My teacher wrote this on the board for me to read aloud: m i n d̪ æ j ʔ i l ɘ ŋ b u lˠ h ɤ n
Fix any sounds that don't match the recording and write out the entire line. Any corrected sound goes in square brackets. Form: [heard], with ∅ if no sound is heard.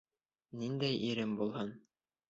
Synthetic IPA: [n] i n d̪ æ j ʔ i [ɾ] ɘ [m] b u lˠ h ɤ n